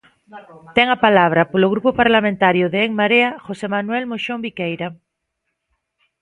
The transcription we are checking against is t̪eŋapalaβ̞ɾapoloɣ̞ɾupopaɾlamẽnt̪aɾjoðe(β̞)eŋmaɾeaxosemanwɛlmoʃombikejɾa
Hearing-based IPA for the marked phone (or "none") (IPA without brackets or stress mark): none